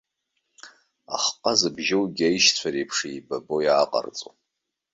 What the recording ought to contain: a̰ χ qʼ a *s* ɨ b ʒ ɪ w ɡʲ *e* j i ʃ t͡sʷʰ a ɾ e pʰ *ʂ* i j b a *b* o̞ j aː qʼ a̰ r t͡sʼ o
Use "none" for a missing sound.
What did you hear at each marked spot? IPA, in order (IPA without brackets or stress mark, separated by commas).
z, a, ʂ, b